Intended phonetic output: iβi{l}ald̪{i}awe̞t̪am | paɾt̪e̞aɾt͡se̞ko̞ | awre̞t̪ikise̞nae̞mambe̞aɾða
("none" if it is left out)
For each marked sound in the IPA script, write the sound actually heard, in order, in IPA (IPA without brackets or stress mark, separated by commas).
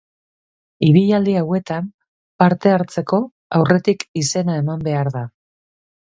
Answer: ʎ, i